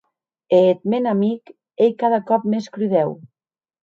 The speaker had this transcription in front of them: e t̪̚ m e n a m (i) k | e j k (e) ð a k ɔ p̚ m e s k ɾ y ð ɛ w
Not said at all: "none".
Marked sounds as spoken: i, a

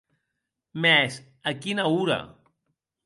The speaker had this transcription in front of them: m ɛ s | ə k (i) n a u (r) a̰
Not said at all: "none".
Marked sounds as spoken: i, ɾ

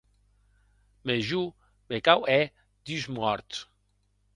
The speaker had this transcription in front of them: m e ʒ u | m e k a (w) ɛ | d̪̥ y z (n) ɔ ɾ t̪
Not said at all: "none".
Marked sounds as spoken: w, m

